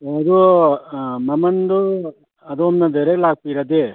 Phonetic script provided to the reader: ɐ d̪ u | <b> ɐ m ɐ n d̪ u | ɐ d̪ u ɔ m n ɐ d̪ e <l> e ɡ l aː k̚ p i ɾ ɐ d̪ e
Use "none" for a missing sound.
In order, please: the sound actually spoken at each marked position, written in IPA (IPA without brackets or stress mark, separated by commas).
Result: m, ɾ